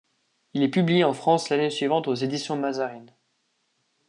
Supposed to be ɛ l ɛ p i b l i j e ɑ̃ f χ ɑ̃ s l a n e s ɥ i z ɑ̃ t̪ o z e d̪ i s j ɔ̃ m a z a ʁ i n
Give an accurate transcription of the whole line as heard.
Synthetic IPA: i l ɛ p y b l i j e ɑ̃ f χ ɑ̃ s l a n e s ɥ i v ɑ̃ t̪ o z e d̪ i s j ɔ̃ m a z a ʁ i n

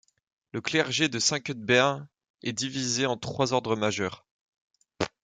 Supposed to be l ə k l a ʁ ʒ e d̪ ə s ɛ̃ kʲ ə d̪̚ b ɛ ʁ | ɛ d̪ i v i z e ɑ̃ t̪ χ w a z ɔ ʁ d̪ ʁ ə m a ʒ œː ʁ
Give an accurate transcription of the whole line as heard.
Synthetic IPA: l ə k l ɛ ʁ ʒ e d̪ ə s ɛ̃ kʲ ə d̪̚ b ɛ ʁ | ɛ d̪ i v i z e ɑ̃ t̪ χ w a z ɔ ʁ d̪ ʁ ə m a ʒ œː ʁ

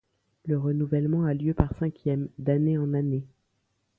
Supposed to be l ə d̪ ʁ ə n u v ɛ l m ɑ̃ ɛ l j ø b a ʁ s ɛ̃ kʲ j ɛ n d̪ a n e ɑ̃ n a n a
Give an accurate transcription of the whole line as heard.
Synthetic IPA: l ə ʁ ə n u v ɛ l m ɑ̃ a l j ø p a ʁ s ɛ̃ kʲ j ɛ m d̪ a n e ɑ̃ n a n e

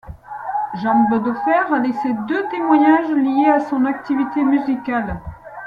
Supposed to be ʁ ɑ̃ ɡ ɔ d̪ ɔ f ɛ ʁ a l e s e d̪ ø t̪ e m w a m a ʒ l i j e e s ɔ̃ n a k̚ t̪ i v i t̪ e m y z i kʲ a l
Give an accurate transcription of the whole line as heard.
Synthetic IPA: ʒ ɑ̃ b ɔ d̪ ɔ f ɛ ʁ a l e s e d̪ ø t̪ e m w a ɲ a ʒ l i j e a s ɔ̃ n a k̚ t̪ i v i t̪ e m y z i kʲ a l

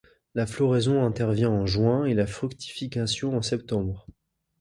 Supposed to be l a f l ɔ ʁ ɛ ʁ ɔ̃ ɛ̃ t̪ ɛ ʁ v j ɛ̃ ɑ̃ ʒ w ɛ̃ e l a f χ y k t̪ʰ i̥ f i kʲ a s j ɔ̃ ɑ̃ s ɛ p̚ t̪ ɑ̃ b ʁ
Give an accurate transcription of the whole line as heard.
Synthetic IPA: l a f l ɔ ʁ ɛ z ɔ̃ ɛ̃ t̪ ɛ ʁ v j ɛ̃ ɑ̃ ʒ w ɛ̃ e l a f χ y k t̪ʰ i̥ f i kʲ a s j ɔ̃ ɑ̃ s ɛ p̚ t̪ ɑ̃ b ʁ

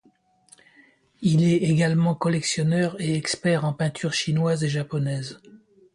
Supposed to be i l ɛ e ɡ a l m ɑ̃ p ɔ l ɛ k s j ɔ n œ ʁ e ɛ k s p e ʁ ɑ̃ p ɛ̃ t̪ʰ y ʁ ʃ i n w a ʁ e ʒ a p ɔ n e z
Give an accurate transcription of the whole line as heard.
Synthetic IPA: i l ɛ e ɡ a l m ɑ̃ k ɔ l ɛ k s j ɔ n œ ʁ e ɛ k s p ɛ ʁ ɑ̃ p ɛ̃ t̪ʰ y ʁ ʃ i n w a z e ʒ a p ɔ n ɛ z

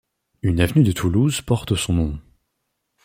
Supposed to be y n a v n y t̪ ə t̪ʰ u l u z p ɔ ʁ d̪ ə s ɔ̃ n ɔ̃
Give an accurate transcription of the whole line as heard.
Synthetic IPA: y n a v n y d̪ ə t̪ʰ u l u z p ɔ ʁ t̪ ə s ɔ̃ n ɔ̃

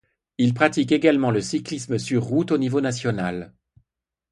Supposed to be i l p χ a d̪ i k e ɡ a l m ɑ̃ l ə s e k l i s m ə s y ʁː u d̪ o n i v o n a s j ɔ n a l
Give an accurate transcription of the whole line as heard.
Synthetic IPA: i l p χ a t̪ i k e ɡ a l m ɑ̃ l ə s i k l i s m ə s y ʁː u t̪ o n i v o n a s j ɔ n a l

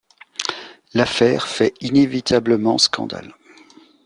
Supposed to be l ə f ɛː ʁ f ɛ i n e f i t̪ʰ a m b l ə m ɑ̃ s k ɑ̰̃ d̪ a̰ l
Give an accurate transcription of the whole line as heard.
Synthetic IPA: l a f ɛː ʁ f ɛ i n e v i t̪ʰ a b l ə m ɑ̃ s k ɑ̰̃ d̪ a̰ l

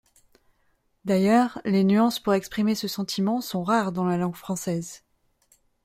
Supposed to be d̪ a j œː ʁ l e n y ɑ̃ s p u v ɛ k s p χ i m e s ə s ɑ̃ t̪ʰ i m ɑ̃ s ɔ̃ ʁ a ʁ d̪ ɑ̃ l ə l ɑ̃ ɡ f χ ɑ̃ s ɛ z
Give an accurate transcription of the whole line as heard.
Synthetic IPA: d̪ a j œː ʁ l e n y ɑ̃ s p u ʁ ɛ k s p χ i m e s ə s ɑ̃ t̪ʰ i m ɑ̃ s ɔ̃ ʁ a ʁ d̪ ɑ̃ l a l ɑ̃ ɡ f χ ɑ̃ s ɛ z

